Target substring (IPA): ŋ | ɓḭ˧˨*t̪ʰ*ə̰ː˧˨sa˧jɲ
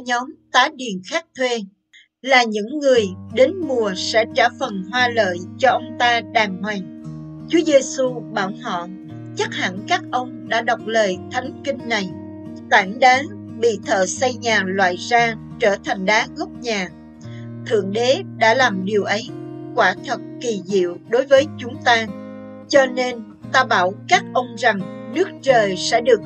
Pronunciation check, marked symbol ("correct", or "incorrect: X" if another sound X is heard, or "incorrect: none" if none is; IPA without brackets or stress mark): correct